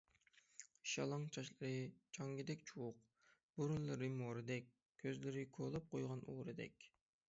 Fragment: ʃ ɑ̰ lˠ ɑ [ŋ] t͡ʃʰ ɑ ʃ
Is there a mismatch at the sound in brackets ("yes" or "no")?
no